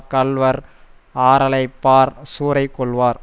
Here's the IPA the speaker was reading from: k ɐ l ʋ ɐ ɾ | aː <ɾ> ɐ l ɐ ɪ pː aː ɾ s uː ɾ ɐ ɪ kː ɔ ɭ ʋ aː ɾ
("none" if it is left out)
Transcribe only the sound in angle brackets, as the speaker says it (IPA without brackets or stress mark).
ɾ